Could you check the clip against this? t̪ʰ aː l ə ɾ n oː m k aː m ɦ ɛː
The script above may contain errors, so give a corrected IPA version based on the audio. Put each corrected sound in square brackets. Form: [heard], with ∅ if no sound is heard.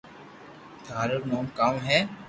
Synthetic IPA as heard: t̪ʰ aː [ɾ] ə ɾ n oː m k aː m ɦ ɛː